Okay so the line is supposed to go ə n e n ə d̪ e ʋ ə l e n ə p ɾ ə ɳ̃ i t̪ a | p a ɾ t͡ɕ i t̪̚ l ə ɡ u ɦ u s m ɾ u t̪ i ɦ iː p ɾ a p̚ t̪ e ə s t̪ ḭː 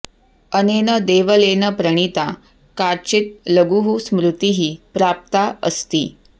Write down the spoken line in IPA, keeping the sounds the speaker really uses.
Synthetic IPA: ə n e n ə d̪ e ʋ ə l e n ə p ɾ ə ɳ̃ i t̪ a | k a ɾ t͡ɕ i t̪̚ l ə ɡ u ɦ u s m ɾ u t̪ i ɦ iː p ɾ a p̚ t̪ a ə s t̪ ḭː